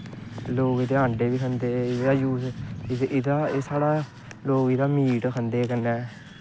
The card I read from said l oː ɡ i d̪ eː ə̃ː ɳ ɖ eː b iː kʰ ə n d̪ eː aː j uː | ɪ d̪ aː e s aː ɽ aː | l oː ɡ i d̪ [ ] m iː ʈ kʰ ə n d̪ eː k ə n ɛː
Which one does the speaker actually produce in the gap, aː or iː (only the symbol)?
aː